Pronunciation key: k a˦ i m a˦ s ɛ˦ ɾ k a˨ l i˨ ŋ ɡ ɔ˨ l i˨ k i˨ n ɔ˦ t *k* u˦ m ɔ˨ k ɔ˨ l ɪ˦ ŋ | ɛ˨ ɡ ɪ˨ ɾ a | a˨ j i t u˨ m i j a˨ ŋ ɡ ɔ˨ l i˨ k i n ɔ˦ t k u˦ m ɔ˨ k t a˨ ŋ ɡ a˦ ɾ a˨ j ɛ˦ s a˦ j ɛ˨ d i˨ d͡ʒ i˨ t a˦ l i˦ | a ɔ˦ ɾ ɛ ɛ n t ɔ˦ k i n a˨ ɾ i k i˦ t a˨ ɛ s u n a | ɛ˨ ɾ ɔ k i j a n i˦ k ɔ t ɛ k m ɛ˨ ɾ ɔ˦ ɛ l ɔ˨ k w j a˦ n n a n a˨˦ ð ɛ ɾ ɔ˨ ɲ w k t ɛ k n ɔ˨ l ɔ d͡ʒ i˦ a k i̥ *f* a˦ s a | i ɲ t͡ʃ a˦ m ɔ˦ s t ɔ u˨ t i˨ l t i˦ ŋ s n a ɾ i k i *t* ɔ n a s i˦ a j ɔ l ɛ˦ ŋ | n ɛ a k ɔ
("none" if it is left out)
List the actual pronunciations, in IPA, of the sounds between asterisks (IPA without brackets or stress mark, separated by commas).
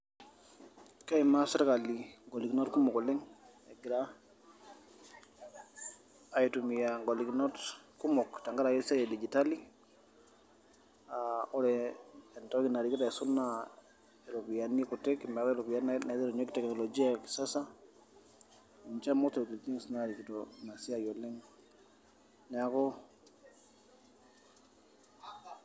k, s, t